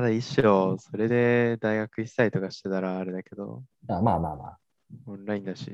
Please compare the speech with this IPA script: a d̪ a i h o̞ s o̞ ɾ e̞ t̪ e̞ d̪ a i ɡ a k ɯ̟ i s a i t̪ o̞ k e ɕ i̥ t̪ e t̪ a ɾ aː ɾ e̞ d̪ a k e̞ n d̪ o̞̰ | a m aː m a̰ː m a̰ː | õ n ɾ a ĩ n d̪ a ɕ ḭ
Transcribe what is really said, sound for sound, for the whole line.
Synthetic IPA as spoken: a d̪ a i ɕ o̞ s o̞ ɾ e̞ d̪ e̞ d̪ a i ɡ a k ɯ̟ i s a i t̪ o̞ k a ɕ i̥ t̪ e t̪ a ɾ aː ɾ e̞ d̪ a k e̞ d̪ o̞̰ | a m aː m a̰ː m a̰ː | õ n ɾ a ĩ n d̪ a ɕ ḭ